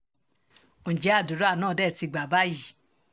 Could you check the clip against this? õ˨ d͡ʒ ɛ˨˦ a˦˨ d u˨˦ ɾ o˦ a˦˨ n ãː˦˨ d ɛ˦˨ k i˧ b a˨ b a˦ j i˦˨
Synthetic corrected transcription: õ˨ d͡ʒ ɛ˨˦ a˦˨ d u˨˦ ɾ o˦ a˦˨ n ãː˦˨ d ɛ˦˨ t i˧ ɡ͡b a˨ b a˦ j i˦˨